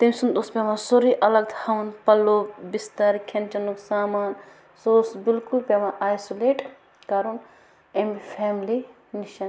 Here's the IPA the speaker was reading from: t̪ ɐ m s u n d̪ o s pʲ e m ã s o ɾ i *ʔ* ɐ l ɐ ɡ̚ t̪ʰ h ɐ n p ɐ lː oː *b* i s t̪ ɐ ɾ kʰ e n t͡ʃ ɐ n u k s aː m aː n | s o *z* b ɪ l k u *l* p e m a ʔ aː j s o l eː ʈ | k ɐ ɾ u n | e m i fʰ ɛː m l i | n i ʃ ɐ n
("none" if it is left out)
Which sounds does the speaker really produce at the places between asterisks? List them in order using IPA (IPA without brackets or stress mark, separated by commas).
ʔ, b, s, l